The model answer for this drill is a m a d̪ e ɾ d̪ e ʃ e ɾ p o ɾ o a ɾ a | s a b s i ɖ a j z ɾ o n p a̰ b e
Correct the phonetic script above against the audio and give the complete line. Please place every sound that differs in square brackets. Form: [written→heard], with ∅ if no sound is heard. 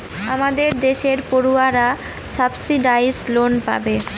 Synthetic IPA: a m a d̪ e ɾ d̪ e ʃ e ɾ p o ɾ [o→u] a ɾ a | s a b s i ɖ a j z [ɾ→l] o n p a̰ b e

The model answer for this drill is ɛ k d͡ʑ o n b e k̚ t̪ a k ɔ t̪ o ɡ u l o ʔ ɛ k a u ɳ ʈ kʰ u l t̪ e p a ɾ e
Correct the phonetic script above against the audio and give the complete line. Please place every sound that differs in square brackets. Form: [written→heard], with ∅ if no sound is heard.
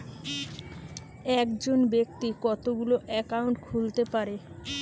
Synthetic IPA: ɛ k d͡ʑ o n b e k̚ t̪ [a→i] k ɔ t̪ o ɡ u l o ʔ ɛ k a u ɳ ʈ kʰ u l t̪ e p a ɾ e

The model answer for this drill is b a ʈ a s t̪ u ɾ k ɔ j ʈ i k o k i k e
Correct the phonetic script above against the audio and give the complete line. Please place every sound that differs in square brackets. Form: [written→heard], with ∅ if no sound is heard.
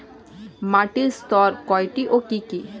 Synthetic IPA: [b→m] a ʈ [a→i] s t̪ [u→ɔ] ɾ k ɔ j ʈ i [k→ʔ] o k i k [e→i]

